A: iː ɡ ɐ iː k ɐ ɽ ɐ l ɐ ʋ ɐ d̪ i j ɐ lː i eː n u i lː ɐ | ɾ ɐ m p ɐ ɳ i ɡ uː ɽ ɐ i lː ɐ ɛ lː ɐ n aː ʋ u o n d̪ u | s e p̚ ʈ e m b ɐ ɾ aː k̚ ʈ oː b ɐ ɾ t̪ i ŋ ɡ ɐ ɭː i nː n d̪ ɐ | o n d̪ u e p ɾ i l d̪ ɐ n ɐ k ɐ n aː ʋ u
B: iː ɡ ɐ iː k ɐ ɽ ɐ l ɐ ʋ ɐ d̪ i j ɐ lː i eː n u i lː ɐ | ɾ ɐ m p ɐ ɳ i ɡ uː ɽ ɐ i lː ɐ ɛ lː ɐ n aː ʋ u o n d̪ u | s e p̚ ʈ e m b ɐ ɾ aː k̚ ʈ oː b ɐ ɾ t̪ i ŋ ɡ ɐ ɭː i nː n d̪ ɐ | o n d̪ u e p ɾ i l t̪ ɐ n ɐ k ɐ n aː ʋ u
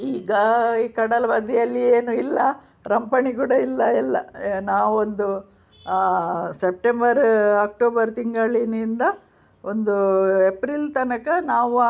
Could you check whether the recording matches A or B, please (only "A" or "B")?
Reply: B